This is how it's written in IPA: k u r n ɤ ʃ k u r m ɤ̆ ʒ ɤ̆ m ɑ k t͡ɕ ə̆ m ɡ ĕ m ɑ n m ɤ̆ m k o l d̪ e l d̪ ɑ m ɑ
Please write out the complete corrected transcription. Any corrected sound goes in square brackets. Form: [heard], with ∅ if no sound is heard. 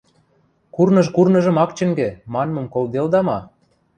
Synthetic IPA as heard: k u r n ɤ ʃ k u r [n] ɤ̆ ʒ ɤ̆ m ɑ k t͡ɕ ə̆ [ŋ] ɡ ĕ m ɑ n m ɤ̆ m k o l d̪ e l d̪ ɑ m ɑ